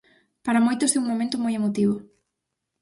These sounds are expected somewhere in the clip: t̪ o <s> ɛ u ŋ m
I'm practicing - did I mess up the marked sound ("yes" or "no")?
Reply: no